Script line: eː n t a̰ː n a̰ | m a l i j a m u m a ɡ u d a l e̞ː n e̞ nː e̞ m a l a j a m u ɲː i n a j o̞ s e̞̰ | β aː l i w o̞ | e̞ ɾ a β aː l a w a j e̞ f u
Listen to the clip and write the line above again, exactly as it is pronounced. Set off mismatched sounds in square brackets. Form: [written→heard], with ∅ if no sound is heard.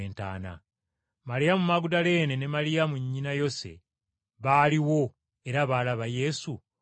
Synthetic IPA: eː n t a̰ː n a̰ | m a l i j a m u m a ɡ u d a l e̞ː n e̞ [nː→n] e̞ m a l [a→i] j a m u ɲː i n a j o̞ s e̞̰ | β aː l i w o̞ | e̞ ɾ a β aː l a [w→β] a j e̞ [f→s] u